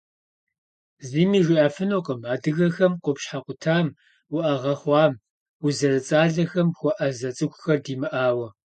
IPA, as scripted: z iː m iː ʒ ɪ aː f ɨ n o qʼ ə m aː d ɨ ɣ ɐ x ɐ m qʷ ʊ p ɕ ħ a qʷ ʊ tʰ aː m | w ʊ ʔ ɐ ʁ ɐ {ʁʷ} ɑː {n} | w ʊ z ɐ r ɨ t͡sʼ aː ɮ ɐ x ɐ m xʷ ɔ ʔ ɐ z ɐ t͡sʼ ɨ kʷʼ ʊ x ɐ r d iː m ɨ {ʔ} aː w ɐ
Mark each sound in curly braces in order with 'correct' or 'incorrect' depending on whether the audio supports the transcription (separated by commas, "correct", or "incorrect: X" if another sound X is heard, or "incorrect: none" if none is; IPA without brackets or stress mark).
incorrect: χʷ, incorrect: m, correct